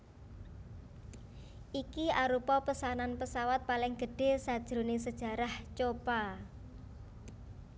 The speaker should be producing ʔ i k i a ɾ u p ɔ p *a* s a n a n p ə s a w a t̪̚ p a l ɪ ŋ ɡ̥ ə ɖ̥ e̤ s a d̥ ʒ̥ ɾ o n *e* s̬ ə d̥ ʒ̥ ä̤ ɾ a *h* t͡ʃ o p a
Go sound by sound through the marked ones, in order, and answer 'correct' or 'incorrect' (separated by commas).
incorrect, correct, correct